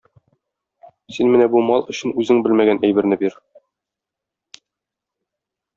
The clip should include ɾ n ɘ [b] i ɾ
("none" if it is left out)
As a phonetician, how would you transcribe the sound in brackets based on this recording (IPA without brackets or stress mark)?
b